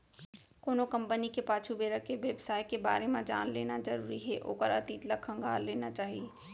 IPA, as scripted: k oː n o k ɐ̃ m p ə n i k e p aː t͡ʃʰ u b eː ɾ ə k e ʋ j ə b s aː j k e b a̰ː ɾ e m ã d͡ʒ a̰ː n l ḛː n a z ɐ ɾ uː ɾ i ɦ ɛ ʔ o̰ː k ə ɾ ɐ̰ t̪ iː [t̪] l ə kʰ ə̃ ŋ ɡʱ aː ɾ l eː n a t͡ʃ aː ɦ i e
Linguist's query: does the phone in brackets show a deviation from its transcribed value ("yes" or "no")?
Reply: no